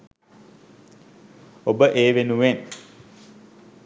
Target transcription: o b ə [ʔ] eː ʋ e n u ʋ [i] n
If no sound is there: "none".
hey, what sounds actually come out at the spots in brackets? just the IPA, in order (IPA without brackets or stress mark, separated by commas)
ʔ, e